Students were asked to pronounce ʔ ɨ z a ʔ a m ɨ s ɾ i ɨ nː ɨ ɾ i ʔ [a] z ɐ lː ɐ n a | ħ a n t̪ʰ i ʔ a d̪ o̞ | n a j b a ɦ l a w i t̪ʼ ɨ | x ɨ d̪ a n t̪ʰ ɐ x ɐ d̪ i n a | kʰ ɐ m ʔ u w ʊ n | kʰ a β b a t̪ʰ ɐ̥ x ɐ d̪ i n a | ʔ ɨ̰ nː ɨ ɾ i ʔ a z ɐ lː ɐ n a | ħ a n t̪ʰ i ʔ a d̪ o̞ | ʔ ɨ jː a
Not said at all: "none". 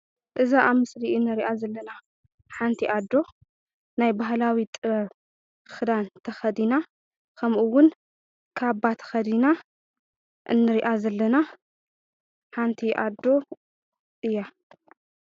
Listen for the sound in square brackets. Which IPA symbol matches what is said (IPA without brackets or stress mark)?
a